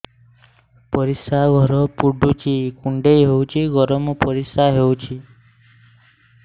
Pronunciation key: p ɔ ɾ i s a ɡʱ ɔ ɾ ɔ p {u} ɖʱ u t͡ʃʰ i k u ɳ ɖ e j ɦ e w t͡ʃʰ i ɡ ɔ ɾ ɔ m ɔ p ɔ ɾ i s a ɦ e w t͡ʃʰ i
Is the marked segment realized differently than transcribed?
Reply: no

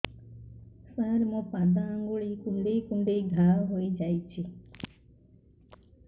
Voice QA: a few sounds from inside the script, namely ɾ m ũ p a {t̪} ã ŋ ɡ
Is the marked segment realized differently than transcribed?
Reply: yes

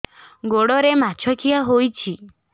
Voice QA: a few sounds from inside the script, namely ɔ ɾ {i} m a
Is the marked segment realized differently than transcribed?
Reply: yes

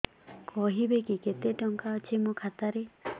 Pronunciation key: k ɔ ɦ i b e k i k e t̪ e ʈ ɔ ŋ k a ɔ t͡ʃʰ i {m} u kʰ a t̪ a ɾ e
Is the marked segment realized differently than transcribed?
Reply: no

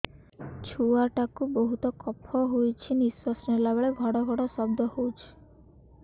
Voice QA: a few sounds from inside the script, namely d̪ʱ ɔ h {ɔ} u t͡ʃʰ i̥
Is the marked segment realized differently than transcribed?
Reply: yes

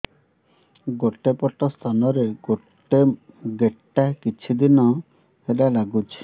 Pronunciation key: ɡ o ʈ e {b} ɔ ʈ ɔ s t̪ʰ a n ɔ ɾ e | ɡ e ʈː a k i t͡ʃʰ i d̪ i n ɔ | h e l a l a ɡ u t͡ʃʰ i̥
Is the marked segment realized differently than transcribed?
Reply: yes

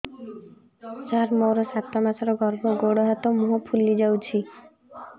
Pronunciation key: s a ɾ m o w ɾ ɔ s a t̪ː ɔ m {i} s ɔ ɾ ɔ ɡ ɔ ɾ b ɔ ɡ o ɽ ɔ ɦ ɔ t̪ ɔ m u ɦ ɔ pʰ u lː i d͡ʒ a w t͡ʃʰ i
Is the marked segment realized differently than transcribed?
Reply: yes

